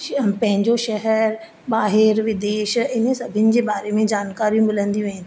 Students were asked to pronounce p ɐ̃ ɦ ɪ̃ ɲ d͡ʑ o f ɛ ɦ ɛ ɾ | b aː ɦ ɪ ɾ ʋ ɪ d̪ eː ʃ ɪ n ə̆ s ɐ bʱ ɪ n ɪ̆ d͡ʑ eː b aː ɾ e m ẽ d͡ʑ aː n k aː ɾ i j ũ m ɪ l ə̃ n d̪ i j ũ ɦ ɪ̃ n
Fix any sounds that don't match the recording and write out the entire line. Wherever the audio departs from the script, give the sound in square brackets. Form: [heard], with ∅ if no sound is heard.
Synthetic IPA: p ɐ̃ ɦ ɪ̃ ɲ d͡ʑ o [ʃ] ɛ ɦ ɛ ɾ | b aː ɦ ɪ ɾ ʋ ɪ d̪ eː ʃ ɪ n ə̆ s ɐ bʱ ɪ n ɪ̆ d͡ʑ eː b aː ɾ e m ẽ d͡ʑ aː n k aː ɾ i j ũ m ɪ l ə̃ n d̪ i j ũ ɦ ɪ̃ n